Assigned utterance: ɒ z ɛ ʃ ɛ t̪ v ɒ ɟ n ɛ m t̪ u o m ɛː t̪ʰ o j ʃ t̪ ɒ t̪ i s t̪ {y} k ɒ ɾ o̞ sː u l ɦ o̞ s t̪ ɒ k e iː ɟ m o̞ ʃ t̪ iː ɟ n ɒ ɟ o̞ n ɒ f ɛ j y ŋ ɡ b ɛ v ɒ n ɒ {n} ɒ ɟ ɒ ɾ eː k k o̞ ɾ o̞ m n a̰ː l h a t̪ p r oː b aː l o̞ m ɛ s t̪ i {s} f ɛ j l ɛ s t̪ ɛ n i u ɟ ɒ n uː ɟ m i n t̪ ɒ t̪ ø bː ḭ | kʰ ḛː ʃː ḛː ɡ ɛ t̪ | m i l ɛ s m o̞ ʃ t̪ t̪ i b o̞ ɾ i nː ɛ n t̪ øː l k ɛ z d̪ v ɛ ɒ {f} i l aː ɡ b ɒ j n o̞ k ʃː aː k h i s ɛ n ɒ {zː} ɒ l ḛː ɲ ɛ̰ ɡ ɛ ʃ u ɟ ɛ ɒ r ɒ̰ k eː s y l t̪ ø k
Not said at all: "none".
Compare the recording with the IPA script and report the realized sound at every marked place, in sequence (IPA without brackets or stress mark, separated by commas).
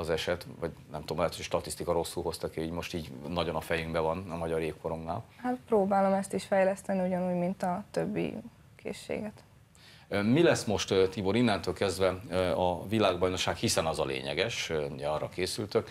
i, m, ʃ, v, z